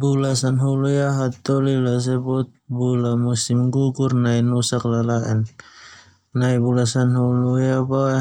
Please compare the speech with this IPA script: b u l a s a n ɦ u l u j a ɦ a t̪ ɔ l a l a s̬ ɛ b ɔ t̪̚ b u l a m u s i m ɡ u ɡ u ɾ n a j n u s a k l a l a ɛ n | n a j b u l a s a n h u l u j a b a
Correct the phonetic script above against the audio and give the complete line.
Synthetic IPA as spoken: b u l a s a n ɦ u l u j a ɦ a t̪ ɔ l i l a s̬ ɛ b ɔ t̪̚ b u l a m u s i m ɡ u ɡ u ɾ n a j n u s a k l a l a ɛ n | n a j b u l a s a n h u l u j a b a